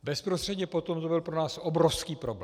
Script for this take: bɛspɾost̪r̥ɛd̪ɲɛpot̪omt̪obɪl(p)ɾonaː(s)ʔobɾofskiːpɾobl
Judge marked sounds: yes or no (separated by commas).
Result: yes, yes